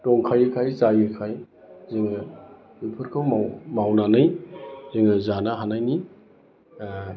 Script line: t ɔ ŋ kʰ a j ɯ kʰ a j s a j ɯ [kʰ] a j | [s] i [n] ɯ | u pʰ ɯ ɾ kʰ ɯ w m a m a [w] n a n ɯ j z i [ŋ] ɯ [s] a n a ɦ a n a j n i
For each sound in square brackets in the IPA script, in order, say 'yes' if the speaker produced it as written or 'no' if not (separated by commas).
yes, no, no, yes, yes, no